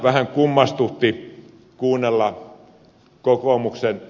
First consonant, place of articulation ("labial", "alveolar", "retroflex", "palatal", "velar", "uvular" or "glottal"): labial